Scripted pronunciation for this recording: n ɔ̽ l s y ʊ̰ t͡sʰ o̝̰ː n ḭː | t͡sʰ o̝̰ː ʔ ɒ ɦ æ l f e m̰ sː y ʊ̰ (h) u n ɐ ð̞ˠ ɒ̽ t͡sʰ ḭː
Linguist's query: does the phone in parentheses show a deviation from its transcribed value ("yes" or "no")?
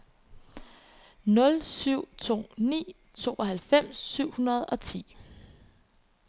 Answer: no